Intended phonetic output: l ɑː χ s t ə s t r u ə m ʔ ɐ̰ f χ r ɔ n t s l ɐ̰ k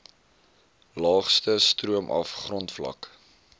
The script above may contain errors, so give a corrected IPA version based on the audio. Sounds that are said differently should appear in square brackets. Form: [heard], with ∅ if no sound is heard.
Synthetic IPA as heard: l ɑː χ s t ə s t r u ə m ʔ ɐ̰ f χ r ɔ n t [f] l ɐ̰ k